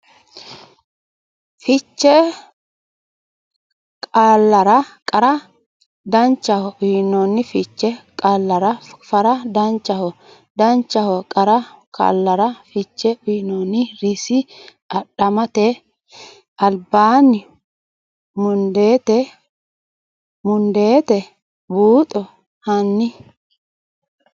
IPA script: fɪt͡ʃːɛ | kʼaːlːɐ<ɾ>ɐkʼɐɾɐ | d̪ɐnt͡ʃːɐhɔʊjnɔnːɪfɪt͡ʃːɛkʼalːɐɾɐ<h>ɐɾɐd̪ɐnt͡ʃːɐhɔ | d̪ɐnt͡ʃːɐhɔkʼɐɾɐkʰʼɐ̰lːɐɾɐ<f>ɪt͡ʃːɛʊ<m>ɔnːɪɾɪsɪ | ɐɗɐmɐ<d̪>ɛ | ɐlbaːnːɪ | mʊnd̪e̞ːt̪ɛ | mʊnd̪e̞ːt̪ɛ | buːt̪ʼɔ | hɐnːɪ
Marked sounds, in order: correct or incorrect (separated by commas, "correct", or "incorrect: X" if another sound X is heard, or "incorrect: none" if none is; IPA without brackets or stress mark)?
correct, incorrect: f, correct, incorrect: n, incorrect: t̪